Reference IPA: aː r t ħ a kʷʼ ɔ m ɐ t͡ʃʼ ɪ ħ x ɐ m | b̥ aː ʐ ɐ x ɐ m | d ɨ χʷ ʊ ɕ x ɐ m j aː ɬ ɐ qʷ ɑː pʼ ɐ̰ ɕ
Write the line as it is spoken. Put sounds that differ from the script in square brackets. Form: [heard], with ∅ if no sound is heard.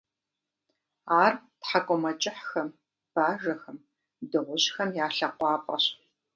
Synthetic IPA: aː r t ħ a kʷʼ ɔ m ɐ t͡ʃʼ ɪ ħ x ɐ m | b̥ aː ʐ ɐ x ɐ m | d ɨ [ʁʷ] ʊ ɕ x ɐ m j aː ɬ ɐ qʷ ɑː pʼ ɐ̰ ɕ